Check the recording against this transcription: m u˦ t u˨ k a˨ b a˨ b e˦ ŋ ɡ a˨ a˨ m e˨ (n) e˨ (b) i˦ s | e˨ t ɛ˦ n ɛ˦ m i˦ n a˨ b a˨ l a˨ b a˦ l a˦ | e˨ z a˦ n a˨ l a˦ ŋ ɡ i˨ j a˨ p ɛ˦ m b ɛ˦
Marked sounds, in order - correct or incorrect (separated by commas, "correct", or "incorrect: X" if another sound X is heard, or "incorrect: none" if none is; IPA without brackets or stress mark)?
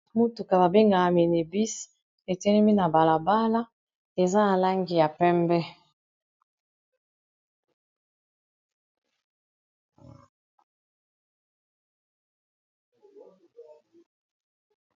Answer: correct, correct